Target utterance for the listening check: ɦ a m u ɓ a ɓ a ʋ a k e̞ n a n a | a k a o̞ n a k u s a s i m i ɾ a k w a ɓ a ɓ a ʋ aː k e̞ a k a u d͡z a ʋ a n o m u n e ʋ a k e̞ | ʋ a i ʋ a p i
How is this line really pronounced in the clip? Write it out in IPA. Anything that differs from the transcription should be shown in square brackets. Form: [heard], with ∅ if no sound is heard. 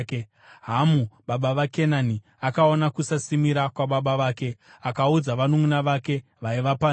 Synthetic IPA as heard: ɦ a m u ɓ a ɓ a ʋ a k e̞ n a n [i] | a k a o̞ n a k u s a s i m i ɾ a k w a ɓ a ɓ a ʋ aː k e̞ a k a u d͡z a ʋ a n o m u n [a] ʋ a k e̞ | ʋ a i ʋ a p [a]